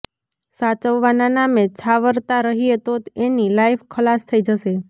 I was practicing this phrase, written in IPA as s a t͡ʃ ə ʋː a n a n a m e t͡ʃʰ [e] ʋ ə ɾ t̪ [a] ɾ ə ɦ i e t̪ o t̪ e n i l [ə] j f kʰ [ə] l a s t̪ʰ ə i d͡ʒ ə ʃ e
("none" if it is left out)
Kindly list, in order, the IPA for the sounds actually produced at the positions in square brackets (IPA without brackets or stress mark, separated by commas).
a, a, a, ə